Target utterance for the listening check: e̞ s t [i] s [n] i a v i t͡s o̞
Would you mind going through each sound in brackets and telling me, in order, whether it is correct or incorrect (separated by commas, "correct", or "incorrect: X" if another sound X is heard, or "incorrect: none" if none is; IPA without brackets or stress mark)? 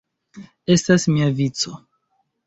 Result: incorrect: a, incorrect: m